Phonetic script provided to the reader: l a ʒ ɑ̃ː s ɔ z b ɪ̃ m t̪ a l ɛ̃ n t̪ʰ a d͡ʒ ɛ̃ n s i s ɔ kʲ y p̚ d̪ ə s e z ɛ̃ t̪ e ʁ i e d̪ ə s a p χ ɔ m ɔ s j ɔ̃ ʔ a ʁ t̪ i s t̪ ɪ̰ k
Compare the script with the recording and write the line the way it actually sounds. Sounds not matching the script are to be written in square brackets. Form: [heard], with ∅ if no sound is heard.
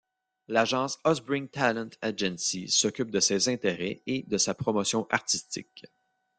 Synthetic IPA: l a ʒ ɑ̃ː s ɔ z b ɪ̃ [ŋ] t̪ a l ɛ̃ n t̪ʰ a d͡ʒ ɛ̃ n s i s ɔ kʲ y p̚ d̪ ə s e z ɛ̃ t̪ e ʁ [ɛ] e d̪ ə s a p χ ɔ m ɔ s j ɔ̃ ʔ a ʁ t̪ i s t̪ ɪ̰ k

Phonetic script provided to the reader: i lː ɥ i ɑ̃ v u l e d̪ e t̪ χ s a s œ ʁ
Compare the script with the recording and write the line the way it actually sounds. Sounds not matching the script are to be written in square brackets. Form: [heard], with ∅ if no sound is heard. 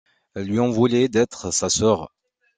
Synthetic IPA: [ɛ] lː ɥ i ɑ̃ v u l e d̪ [ɛ] t̪ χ s a s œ ʁ

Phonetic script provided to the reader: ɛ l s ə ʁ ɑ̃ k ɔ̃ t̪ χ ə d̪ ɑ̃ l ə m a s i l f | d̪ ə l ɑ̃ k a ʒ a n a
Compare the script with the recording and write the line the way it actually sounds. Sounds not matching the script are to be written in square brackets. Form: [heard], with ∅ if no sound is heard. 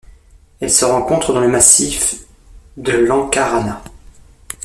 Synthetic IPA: ɛ l s ə ʁ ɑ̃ k ɔ̃ t̪ χ ə d̪ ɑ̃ l ə m a s i [∅] f | d̪ ə l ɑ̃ k a [ʁ] a n a

